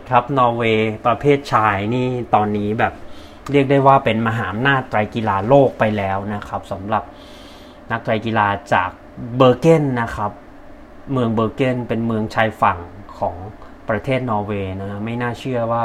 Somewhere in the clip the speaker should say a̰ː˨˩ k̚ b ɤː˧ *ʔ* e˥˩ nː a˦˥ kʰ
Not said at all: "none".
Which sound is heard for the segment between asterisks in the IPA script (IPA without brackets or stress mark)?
k